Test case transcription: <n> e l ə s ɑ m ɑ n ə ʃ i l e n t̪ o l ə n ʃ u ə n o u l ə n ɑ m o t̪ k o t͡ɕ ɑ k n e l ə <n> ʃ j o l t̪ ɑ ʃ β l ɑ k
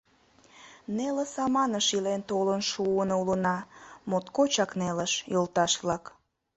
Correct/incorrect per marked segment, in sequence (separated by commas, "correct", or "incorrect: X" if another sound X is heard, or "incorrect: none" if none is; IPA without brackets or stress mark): correct, incorrect: none